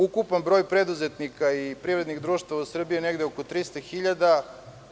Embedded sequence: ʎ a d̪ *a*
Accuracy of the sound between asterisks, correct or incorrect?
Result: correct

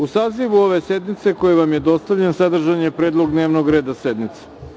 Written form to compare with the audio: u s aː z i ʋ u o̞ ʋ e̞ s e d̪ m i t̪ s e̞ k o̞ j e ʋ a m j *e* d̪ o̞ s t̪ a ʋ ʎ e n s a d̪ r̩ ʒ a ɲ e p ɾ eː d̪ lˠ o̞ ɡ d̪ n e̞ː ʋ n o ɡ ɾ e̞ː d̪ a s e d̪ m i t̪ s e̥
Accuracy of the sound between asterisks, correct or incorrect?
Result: correct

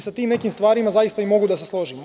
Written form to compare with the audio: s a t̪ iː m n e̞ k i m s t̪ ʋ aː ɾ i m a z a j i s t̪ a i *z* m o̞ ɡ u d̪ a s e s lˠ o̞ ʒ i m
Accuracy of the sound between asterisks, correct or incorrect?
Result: incorrect: none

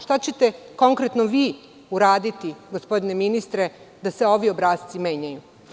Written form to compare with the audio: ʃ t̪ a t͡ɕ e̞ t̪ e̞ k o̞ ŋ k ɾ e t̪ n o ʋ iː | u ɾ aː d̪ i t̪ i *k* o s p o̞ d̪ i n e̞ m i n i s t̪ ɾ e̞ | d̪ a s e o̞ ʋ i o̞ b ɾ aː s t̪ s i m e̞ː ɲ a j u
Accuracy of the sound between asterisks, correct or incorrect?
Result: incorrect: ɡ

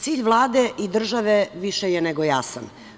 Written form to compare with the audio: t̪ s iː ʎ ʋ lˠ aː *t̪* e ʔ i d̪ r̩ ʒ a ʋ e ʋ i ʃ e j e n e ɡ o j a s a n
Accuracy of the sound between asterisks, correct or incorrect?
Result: incorrect: d̪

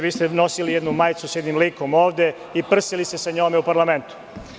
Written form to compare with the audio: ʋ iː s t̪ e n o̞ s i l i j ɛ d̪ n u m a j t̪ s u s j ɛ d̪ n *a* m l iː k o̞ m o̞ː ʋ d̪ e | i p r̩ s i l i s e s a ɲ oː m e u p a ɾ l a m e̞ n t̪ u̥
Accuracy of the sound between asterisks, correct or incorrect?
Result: incorrect: i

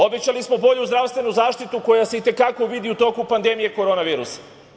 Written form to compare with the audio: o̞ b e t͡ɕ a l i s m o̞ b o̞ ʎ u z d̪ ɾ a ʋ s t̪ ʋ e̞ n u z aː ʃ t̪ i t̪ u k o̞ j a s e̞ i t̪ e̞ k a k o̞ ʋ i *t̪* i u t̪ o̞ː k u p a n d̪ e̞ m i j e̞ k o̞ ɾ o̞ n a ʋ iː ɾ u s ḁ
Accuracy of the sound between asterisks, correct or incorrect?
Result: incorrect: d̪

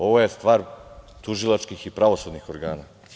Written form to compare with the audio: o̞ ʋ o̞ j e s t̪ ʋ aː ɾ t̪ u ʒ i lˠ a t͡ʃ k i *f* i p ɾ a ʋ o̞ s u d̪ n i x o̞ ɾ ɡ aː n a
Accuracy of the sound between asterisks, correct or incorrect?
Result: incorrect: x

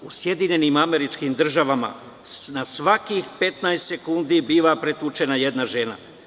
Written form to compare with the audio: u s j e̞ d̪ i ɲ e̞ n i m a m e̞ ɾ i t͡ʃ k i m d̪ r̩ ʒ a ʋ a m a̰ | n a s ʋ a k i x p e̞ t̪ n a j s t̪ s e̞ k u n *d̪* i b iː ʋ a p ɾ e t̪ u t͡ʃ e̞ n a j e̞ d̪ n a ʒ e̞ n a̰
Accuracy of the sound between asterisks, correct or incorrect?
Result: correct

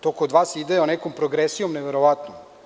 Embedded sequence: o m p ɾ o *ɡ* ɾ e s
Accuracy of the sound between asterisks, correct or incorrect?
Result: correct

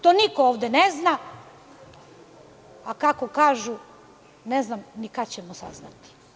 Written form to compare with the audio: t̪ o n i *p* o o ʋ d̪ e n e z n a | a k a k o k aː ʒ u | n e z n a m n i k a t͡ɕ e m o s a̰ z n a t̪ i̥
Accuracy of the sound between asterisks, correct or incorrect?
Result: incorrect: k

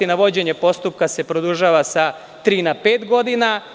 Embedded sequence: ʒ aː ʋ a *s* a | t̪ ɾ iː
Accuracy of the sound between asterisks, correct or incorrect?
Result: correct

